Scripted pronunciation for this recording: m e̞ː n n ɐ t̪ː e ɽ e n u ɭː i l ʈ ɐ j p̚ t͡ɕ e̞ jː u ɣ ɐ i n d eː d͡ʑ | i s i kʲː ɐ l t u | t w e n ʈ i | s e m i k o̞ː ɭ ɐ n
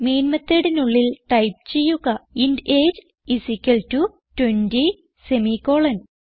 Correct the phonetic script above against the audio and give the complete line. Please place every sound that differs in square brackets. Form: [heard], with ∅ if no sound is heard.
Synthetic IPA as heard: m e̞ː n [m] ɐ t̪ː e ɽ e n u ɭː i l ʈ ɐ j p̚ t͡ɕ e̞ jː u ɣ ɐ i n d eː d͡ʑ | i s i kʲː ɐ l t u | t w e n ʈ i | s e m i k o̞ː ɭ ɐ n